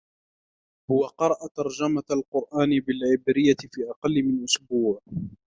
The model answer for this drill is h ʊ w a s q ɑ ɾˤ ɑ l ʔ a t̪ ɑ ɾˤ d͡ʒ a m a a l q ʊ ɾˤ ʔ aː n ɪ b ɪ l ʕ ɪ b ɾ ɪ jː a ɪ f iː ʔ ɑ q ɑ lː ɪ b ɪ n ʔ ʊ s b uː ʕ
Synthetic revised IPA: h ʊ w a q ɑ ɾˤ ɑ ʔ a t̪ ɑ ɾˤ d͡ʒ a m a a l q ʊ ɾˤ ʔ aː n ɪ b ɪ l ʕ ɪ b ɾ ɪ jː a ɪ f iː ʔ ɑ q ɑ lː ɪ m ɪ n ʔ ʊ s b uː ʕ